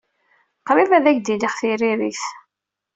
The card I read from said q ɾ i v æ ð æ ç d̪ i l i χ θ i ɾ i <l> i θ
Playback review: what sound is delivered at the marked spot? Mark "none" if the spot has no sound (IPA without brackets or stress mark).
ɾ